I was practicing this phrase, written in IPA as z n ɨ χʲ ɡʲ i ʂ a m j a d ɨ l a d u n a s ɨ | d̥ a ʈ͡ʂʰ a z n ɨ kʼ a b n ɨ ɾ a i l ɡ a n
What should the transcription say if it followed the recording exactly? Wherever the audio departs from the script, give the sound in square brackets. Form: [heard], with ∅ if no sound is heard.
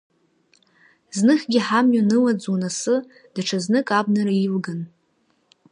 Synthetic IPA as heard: z n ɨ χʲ ɡʲ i [ħ] a m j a [n] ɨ l a [d͡z] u n a s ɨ | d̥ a ʈ͡ʂʰ a z n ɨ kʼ a b n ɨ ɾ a i l ɡ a n